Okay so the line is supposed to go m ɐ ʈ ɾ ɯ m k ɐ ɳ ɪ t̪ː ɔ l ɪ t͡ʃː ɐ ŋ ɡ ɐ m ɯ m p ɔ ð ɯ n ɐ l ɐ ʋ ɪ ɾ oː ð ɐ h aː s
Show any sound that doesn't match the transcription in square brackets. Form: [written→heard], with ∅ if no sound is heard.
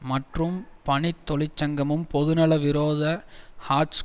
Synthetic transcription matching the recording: m ɐ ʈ [ɾ→r] ɯ m [k→p] ɐ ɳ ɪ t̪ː ɔ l ɪ t͡ʃː ɐ ŋ ɡ ɐ m ɯ m p ɔ ð ɯ n ɐ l ɐ ʋ ɪ ɾ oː ð ɐ h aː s